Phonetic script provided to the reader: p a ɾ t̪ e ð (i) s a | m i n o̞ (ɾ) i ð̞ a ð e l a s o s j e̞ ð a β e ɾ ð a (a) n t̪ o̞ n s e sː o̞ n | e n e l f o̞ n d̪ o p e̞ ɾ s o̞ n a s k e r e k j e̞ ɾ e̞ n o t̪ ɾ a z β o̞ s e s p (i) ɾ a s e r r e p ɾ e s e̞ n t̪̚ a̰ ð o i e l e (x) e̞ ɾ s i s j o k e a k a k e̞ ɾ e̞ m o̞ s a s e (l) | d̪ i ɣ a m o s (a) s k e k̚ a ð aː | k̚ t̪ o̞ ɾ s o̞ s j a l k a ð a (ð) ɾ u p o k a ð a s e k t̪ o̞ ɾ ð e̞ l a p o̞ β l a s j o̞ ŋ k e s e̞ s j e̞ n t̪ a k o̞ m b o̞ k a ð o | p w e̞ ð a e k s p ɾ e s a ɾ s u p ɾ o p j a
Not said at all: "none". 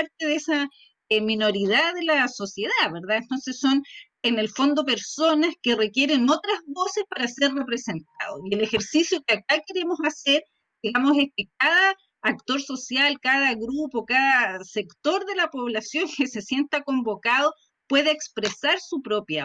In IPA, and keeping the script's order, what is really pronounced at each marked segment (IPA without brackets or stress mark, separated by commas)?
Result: e, ɾ, e, a, x, ɾ, e, ɣ